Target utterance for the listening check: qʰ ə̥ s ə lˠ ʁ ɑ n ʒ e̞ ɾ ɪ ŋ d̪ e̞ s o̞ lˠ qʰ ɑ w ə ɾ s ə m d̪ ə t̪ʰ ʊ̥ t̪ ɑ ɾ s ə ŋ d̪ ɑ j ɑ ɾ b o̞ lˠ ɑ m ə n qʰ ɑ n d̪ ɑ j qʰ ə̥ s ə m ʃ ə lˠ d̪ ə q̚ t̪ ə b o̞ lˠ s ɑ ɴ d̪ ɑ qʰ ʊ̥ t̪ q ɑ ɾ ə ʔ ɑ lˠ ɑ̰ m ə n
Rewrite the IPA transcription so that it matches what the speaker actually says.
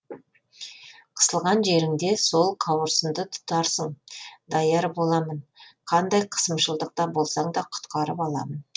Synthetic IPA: qʰ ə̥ s ə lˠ ʁ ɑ n ʒ e̞ ɾ ɪ ŋ d̪ e̞ s o̞ lˠ qʰ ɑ w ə ɾ s ə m d̪ ə t̪ʰ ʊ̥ t̪ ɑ ɾ s ə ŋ d̪ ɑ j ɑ ɾ b o̞ lˠ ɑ m ə n qʰ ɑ n d̪ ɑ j qʰ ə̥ s ə m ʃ ə lˠ d̪ ə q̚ t̪ ɑ b o̞ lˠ s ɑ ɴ d̪ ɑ qʰ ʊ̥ t̪ q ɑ ɾ ə p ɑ lˠ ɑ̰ m ə n